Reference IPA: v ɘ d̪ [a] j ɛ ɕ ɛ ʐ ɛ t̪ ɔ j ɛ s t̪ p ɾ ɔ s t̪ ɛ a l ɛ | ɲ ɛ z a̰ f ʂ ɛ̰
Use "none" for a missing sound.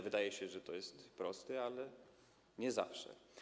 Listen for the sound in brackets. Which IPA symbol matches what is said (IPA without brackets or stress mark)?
a